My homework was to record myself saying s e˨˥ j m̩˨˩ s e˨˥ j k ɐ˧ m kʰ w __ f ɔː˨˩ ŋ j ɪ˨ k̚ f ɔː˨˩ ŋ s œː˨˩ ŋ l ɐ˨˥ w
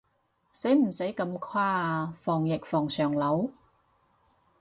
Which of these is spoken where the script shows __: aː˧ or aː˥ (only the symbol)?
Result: aː˥